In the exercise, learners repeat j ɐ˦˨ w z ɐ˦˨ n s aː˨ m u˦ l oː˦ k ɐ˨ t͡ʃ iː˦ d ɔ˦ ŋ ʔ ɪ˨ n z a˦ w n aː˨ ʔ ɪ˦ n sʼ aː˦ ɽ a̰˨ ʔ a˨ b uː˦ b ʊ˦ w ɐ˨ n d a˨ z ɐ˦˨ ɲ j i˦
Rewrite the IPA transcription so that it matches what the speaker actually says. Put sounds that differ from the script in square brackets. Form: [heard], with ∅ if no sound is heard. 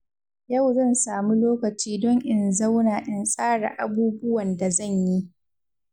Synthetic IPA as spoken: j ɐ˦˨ w z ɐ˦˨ n s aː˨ m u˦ l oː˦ k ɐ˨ t͡ʃ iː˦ d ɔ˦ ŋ ʔ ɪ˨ n z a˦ w n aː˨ ʔ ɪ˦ n sʼ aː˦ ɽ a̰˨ ʔ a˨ b uː˦ b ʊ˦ w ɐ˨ n d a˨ z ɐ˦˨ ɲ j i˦